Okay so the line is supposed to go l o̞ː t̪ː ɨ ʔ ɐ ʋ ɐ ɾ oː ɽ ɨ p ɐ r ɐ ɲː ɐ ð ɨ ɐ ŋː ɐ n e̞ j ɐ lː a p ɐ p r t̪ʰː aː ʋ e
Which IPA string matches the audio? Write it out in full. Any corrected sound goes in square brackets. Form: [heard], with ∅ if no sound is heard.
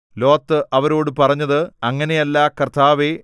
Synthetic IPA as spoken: l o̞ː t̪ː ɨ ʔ ɐ ʋ ɐ ɾ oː ɽ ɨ p ɐ r ɐ ɲː ɐ ð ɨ ɐ ŋː ɐ n e̞ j ɐ lː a [k] ɐ [∅] r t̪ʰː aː ʋ e

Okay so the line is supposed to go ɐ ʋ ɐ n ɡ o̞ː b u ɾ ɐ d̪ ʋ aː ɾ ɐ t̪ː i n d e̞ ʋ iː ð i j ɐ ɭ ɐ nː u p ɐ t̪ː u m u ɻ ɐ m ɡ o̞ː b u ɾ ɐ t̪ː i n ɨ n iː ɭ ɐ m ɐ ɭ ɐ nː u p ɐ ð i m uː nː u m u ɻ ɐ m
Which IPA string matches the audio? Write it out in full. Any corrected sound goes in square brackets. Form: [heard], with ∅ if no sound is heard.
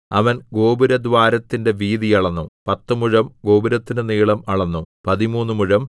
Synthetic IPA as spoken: ɐ ʋ ɐ n ɡ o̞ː b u ɾ ɐ d̪ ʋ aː ɾ ɐ t̪ː i n d e̞ ʋ iː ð i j ɐ ɭ ɐ nː u p ɐ t̪ː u m u ɻ ɐ m ɡ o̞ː b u ɾ ɐ t̪ː i n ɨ n iː ɭ ɐ m ɐ ɭ ɐ nː u p ɐ ð i m uː nː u m u ɻ ɐ m

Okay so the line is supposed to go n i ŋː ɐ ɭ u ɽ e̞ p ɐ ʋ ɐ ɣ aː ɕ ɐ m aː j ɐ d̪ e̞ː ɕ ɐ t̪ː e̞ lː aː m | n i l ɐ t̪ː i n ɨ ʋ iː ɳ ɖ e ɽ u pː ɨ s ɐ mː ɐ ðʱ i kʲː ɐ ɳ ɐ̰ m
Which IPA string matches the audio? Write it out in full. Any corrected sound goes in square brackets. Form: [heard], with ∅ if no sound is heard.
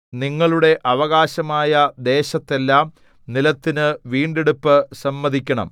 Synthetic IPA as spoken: n i ŋː ɐ ɭ u ɽ e̞ [ʔ] ɐ ʋ ɐ ɣ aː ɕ ɐ m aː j ɐ d̪ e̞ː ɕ ɐ t̪ː e̞ lː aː m | n i l ɐ t̪ː i n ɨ ʋ iː ɳ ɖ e ɽ u pː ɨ s ɐ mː ɐ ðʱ i kʲː ɐ ɳ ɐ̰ m

